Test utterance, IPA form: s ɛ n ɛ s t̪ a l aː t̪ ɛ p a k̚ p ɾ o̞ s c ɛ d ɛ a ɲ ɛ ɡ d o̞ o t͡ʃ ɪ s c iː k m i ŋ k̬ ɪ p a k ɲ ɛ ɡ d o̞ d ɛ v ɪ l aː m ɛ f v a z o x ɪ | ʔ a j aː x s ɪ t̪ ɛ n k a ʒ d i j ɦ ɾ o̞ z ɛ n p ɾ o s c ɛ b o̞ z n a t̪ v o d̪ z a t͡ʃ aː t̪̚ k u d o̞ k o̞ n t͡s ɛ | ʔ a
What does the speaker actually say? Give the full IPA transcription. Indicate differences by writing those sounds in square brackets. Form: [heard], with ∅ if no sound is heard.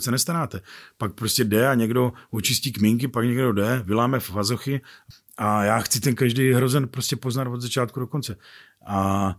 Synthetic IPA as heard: s ɛ n ɛ s t̪ a [ɾ] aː t̪ ɛ p a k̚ p ɾ o̞ s c ɛ d ɛ a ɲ ɛ ɡ d o̞ o t͡ʃ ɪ s c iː k m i ŋ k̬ ɪ p a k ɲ ɛ ɡ d o̞ d ɛ v ɪ l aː m ɛ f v a z o x ɪ | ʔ a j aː x [t͡s] ɪ t̪ ɛ n k a ʒ d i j ɦ ɾ o̞ z ɛ n p ɾ o s c ɛ [p] o̞ z n a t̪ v o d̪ z a t͡ʃ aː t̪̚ k u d o̞ k o̞ n t͡s ɛ | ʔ a